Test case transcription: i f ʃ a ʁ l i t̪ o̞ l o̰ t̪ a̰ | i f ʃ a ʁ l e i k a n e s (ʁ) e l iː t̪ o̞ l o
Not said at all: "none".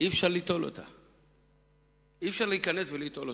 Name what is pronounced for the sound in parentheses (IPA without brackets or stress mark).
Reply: v